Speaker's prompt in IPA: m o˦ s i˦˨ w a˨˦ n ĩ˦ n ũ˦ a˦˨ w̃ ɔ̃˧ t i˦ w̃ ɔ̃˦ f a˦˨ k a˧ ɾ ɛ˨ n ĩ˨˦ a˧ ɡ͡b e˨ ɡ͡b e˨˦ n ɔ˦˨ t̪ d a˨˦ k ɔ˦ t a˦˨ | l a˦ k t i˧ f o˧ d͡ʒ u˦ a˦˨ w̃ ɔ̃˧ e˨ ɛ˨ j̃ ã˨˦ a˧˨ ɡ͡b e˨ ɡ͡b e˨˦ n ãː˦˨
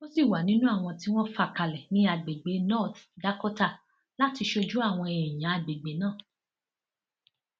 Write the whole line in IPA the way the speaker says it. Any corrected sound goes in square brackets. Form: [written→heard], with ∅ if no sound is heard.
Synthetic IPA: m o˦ s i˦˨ w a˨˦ n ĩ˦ n ũ˦ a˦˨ w̃ ɔ̃˧ t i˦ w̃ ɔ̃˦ f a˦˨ k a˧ [ɾ→l] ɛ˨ n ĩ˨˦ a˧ ɡ͡b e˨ ɡ͡b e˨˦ n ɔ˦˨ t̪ d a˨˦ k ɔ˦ t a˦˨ | l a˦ [k→∅] t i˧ [f→ʃ] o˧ d͡ʒ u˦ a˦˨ w̃ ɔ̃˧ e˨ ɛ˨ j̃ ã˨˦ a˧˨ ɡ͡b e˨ ɡ͡b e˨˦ n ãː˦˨